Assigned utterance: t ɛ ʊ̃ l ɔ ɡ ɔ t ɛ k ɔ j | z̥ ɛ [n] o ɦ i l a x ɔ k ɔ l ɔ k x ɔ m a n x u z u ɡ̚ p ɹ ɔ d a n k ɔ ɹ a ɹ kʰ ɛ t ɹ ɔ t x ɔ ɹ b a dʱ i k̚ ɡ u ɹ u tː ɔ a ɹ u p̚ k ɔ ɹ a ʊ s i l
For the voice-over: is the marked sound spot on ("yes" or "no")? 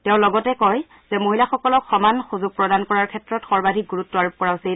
no